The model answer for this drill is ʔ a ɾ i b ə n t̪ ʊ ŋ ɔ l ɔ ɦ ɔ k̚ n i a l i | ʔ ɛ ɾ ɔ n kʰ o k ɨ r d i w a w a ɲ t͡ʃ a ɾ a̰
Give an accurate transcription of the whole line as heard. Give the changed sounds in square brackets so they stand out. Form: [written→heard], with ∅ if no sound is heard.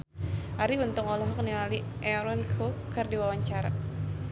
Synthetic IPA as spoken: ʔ a ɾ i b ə n t̪ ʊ ŋ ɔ l ɔ ɦ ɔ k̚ n i a l i | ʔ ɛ ɾ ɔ n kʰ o k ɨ r d i w a w a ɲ t͡ʃ a ɾ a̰